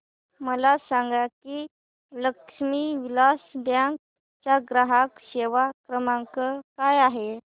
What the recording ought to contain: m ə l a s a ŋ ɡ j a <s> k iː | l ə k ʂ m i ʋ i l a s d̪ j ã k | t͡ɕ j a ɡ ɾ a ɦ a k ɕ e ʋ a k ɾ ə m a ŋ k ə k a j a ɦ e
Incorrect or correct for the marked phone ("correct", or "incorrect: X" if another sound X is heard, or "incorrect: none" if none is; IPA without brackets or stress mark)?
incorrect: none